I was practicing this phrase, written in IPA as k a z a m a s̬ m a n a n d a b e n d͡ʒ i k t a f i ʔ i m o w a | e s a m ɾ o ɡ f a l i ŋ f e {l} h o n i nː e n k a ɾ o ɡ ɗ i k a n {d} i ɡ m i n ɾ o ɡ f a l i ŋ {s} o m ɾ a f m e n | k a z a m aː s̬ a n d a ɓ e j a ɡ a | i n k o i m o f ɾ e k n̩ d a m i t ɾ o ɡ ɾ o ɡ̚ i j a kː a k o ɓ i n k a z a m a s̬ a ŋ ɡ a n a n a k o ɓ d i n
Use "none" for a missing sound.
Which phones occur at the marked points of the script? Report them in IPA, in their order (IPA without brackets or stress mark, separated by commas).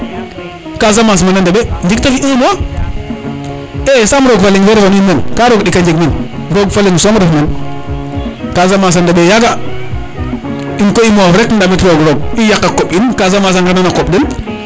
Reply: ɾ, d͡ʒ, s